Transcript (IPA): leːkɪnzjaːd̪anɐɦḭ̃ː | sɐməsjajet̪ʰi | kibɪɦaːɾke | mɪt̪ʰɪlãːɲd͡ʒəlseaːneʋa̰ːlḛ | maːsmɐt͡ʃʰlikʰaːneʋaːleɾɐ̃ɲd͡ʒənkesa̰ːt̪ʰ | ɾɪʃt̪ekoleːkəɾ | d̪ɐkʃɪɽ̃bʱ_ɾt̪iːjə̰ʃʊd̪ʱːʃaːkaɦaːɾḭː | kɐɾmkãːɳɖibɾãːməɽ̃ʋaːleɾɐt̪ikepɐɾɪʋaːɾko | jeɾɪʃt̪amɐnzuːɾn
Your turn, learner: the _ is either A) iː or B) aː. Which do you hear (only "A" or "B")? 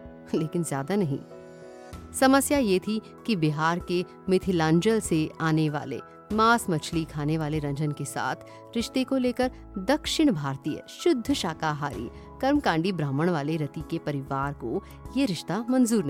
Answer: B